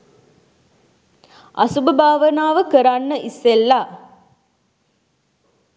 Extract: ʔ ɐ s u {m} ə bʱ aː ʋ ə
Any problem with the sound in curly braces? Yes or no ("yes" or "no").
yes